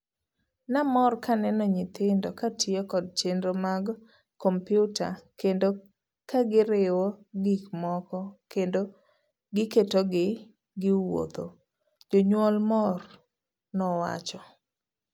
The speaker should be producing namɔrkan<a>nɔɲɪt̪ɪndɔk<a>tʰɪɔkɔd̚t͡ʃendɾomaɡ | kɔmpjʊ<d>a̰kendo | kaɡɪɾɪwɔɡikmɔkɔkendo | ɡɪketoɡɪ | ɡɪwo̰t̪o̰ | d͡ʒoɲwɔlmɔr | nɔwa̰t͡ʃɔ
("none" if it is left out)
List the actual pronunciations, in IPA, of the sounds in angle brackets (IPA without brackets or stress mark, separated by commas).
ɛ, a, t